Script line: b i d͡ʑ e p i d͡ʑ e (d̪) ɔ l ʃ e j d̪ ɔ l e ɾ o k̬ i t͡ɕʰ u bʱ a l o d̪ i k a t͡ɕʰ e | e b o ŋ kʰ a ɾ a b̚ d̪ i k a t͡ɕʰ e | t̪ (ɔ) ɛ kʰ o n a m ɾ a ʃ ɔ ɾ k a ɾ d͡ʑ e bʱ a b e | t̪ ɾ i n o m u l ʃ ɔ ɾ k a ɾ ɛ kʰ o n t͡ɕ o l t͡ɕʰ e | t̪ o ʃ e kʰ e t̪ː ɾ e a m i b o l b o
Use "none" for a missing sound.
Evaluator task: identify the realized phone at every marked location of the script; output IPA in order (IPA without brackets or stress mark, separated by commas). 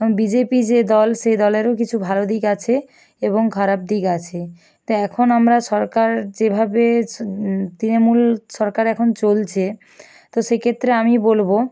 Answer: d̪, o